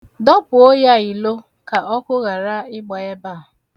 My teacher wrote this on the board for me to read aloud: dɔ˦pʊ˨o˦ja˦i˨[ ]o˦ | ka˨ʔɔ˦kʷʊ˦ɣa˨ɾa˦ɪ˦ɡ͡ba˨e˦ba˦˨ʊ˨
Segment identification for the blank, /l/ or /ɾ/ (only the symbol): l